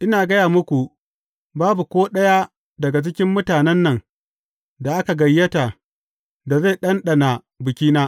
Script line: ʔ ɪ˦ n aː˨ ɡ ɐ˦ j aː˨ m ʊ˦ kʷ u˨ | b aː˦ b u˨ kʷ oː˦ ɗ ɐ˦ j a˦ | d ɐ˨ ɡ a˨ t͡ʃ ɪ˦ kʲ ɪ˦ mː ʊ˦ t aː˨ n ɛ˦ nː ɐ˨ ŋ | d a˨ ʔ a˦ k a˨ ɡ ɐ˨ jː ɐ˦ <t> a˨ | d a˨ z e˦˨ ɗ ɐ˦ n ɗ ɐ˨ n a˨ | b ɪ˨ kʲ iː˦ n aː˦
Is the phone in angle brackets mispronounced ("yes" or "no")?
no